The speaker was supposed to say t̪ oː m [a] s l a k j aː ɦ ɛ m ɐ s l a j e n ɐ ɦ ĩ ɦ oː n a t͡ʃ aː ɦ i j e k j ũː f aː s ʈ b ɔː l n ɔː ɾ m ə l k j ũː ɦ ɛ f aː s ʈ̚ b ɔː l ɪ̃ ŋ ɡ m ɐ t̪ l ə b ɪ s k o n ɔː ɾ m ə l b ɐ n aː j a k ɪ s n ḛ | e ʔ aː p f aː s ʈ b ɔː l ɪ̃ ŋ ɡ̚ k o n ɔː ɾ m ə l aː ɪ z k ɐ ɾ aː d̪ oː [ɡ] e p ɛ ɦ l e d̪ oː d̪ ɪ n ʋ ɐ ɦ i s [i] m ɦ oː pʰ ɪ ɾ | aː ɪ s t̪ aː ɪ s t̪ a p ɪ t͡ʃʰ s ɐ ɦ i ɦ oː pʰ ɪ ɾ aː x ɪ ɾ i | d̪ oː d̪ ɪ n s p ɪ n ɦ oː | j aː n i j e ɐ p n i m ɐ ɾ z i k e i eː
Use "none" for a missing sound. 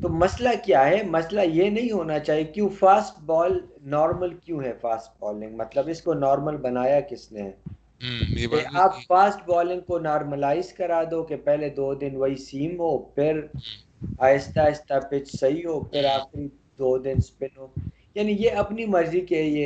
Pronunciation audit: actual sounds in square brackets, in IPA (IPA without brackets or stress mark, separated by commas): ɐ, k, iː